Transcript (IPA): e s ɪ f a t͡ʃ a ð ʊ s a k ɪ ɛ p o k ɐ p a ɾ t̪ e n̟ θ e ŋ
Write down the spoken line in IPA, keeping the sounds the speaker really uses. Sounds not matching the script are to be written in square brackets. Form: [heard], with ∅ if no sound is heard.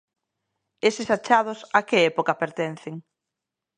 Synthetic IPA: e s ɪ [s] a t͡ʃ a ð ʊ s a k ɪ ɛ p o k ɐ p [e] ɾ t̪ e n̟ θ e ŋ